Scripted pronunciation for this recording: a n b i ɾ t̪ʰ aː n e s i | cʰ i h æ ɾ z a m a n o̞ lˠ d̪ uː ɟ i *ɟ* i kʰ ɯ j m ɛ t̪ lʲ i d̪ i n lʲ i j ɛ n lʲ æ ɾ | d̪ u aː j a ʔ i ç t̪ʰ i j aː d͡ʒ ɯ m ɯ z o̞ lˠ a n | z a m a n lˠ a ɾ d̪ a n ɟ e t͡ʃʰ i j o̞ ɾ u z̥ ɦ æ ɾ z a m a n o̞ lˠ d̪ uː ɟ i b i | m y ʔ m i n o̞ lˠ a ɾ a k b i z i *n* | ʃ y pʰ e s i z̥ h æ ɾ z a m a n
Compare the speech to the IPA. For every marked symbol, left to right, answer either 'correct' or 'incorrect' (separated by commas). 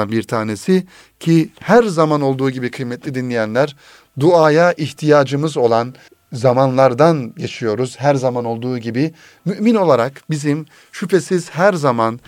incorrect, incorrect